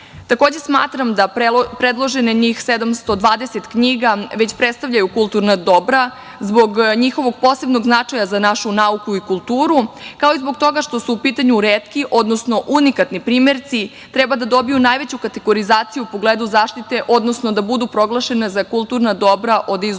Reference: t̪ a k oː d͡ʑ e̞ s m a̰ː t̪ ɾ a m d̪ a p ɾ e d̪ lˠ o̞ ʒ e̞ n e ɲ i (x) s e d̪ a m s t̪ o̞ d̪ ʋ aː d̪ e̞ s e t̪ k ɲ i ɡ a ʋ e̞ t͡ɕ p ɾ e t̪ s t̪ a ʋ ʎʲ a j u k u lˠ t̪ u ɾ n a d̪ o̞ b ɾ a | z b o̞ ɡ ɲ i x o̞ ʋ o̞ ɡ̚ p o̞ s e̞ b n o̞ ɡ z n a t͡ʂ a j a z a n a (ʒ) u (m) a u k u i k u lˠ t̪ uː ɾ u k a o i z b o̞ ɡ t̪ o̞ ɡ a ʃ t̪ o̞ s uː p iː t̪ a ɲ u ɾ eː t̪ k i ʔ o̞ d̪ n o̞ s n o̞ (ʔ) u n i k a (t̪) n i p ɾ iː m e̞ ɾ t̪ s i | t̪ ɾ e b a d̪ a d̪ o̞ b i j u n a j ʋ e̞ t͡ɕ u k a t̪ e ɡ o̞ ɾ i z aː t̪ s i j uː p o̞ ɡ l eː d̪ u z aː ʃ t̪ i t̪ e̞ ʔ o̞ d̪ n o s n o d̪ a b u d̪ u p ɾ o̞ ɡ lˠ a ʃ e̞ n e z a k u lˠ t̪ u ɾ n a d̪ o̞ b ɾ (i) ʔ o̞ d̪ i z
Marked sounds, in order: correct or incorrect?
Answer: correct, incorrect: ʃ, incorrect: n, correct, correct, incorrect: a

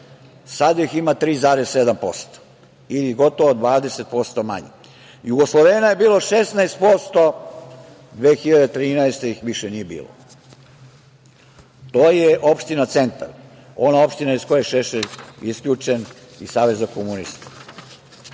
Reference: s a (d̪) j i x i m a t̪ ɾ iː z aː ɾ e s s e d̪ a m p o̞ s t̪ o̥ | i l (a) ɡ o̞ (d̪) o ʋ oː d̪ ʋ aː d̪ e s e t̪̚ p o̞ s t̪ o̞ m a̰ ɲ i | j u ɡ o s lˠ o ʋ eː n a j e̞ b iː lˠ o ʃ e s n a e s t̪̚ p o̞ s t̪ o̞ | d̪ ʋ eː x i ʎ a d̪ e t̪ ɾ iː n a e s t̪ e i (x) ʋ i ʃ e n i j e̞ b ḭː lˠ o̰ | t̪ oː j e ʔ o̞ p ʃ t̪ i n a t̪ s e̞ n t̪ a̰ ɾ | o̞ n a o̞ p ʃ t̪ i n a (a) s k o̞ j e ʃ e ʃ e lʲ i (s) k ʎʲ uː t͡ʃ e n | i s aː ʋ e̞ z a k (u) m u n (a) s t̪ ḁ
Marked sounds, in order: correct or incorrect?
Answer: correct, incorrect: i, incorrect: t̪, correct, incorrect: i, correct, incorrect: o, incorrect: i

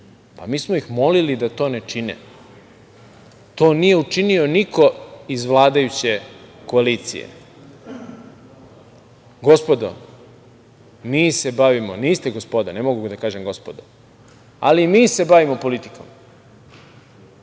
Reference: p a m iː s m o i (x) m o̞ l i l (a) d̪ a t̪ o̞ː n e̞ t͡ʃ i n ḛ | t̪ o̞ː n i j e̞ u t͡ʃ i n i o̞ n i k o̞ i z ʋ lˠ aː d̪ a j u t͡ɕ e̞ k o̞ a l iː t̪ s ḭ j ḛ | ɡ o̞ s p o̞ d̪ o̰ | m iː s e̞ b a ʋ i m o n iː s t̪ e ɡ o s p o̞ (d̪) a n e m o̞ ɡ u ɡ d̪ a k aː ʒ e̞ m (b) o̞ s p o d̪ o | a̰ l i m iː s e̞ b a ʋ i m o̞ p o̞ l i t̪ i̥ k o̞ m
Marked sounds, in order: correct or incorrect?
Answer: correct, incorrect: i, correct, incorrect: ɡ

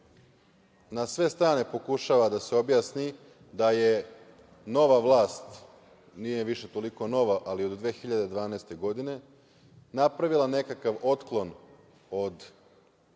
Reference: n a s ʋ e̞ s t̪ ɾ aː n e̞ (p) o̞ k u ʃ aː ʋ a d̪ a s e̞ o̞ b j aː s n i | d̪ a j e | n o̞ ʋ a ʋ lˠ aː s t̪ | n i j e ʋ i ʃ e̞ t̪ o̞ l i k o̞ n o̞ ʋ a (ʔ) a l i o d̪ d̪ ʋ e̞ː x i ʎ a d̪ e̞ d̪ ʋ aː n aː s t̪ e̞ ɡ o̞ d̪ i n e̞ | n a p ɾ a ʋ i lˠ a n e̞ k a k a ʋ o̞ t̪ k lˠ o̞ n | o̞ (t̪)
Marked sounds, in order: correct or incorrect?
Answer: correct, correct, incorrect: d̪

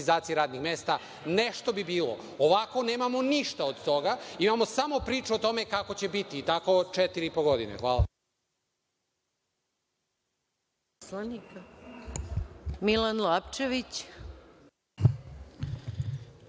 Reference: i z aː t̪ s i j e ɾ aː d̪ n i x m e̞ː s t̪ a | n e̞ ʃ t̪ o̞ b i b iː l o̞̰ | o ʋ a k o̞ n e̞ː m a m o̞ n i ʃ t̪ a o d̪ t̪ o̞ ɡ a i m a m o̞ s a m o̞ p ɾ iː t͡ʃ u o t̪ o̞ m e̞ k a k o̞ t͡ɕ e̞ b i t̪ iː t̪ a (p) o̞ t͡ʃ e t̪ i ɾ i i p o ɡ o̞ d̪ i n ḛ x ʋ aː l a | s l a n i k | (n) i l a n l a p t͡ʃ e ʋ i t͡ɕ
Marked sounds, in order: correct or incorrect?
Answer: incorrect: k, incorrect: m

